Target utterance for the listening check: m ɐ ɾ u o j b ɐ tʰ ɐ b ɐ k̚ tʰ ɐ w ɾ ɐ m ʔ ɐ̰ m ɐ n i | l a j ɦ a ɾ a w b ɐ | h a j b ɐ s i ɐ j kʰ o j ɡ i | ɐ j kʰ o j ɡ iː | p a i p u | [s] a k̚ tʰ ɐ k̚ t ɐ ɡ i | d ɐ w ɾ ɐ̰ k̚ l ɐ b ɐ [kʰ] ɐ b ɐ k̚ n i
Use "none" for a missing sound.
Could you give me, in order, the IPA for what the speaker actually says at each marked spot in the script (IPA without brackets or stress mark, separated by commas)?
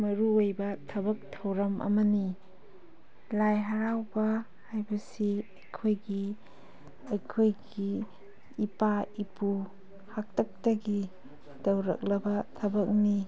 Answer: h, tʰ